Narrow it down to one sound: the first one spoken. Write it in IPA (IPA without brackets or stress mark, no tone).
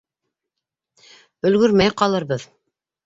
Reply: ɵ̆